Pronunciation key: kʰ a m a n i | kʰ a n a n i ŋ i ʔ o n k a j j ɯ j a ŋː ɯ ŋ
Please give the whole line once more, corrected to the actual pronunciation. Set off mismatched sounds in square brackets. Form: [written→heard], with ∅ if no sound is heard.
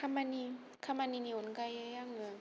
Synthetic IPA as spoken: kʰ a m a n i | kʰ a [n→m] a n i [ŋ→n] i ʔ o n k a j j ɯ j a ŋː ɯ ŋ